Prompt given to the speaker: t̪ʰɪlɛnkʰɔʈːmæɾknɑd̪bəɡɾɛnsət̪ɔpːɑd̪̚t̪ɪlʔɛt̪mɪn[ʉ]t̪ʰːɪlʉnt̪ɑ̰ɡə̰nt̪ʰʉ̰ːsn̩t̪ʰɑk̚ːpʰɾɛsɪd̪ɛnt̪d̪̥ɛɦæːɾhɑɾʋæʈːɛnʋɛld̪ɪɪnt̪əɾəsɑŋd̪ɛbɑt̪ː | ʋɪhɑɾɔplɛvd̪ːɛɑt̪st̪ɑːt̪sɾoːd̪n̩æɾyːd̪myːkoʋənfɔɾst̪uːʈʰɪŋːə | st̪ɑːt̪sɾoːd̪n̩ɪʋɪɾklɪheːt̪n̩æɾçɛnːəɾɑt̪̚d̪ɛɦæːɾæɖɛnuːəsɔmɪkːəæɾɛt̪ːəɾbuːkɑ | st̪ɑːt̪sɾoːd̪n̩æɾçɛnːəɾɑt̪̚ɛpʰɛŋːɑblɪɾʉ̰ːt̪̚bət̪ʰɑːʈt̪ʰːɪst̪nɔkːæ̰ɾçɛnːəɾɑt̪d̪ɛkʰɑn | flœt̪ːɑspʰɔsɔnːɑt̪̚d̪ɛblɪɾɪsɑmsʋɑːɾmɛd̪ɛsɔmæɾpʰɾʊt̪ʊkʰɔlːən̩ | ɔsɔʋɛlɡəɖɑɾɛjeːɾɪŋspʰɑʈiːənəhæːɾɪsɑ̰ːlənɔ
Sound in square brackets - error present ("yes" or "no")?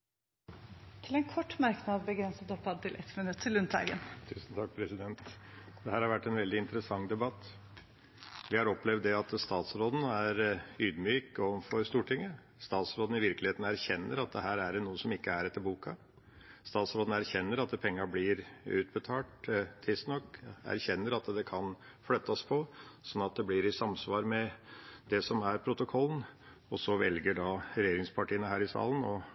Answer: no